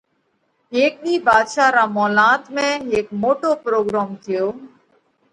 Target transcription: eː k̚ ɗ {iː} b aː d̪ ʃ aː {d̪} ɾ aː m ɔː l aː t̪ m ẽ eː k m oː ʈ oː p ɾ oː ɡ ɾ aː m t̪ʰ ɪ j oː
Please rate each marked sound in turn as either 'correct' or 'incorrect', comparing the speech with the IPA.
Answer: correct, incorrect: none

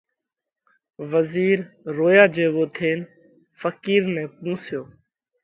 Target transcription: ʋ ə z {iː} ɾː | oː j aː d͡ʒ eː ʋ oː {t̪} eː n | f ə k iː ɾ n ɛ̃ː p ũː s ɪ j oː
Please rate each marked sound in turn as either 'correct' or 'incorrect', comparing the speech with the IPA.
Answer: correct, incorrect: t̪ʰ

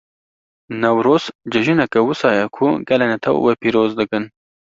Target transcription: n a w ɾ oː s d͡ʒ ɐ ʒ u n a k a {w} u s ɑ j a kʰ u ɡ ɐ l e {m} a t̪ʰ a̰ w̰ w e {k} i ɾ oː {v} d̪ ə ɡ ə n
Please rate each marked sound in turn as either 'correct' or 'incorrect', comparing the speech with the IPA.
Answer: correct, incorrect: n, incorrect: p, incorrect: z

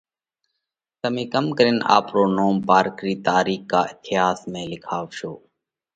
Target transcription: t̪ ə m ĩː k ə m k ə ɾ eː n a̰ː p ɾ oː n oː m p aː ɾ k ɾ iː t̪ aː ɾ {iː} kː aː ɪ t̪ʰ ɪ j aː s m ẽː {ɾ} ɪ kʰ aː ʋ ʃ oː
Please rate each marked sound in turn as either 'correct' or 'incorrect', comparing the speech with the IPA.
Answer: correct, incorrect: l

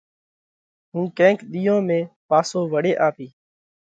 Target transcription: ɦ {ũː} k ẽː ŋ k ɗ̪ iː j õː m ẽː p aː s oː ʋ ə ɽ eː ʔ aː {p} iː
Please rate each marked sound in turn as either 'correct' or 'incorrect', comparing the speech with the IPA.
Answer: correct, correct

